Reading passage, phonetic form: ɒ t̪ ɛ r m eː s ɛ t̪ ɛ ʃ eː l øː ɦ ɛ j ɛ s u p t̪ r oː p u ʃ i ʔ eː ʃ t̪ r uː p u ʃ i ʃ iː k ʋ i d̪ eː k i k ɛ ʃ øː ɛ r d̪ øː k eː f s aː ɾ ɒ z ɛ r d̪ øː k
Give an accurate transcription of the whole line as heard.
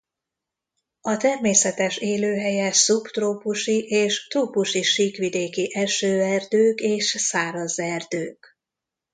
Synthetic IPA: ɒ t̪ ɛ r m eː s ɛ t̪ ɛ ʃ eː l øː ɦ ɛ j ɛ s u p t̪ r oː p u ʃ i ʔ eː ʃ t̪ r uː p u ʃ i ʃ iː k ʋ i d̪ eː k i ʔ ɛ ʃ øː ɛ r d̪ øː k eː ʃ s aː ɾ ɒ z ɛ r d̪ øː k